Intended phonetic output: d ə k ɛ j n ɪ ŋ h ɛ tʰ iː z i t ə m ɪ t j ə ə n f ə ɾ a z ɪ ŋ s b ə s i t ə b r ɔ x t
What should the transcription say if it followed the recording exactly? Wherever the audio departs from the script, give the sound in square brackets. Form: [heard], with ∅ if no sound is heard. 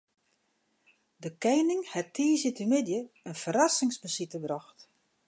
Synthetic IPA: d ə k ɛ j n ɪ ŋ h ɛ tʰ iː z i t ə m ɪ [d] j ə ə n f ə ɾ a [s] ɪ ŋ s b ə s i t ə b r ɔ x t